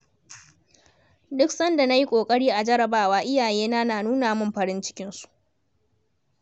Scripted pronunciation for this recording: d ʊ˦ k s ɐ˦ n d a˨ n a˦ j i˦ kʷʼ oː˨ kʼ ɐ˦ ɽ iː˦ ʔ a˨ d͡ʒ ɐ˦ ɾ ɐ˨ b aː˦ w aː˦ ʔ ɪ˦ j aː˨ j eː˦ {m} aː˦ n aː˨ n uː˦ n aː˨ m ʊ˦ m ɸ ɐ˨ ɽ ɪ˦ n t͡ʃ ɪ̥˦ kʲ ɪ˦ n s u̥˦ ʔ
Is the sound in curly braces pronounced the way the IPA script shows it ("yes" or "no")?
no